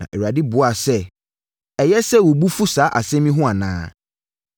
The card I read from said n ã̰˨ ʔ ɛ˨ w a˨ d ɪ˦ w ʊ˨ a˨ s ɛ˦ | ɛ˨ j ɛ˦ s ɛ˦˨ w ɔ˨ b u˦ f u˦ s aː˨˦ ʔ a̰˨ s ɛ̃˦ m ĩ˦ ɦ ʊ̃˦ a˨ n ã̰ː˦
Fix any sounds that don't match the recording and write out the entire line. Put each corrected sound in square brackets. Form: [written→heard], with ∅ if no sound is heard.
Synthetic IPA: n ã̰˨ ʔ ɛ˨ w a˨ d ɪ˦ [w→b] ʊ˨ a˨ s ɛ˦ | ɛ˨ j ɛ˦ s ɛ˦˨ w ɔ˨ b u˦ f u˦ s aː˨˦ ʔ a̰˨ s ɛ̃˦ m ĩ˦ ɦ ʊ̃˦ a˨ n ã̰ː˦

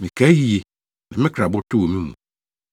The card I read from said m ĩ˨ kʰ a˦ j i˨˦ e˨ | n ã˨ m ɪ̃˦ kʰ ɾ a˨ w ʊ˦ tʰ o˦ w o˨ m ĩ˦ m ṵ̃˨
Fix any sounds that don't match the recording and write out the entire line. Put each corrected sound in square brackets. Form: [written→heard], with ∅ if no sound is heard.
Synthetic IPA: m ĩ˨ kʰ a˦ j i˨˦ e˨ | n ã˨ m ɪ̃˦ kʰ ɾ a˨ [w→b] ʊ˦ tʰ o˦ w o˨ m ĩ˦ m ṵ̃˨

